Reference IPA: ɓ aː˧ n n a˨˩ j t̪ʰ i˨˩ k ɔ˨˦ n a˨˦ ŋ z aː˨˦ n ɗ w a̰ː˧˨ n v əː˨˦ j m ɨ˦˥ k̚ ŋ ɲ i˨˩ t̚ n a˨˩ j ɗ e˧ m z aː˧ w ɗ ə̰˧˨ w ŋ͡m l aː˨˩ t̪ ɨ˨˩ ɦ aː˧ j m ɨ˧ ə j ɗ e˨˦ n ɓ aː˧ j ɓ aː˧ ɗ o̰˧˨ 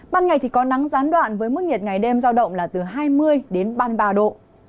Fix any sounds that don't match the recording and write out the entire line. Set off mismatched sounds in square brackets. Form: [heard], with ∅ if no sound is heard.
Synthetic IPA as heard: ɓ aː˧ n [ŋ] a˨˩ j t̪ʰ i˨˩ k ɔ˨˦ n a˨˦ ŋ z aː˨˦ n ɗ w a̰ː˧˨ n v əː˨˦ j m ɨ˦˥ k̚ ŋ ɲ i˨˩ t̚ [ŋ] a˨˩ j ɗ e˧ m z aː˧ w ɗ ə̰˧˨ w ŋ͡m l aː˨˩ t̪ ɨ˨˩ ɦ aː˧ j m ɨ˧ ə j ɗ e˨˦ n ɓ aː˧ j ɓ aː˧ ɗ o̰˧˨